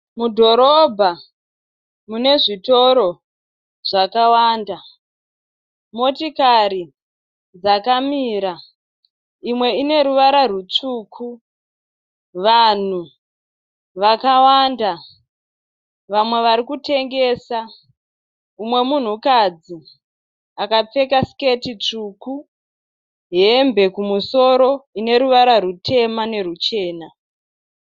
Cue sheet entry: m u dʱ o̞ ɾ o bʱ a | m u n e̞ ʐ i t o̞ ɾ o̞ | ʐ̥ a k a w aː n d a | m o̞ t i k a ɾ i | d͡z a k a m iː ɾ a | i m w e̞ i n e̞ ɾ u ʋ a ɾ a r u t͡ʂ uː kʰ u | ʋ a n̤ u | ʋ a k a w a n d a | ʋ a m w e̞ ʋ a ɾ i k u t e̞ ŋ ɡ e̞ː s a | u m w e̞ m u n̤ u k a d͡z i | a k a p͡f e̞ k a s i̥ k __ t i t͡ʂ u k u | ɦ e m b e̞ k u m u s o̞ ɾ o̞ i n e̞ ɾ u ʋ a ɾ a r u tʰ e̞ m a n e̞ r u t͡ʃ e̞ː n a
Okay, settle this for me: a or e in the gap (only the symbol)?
e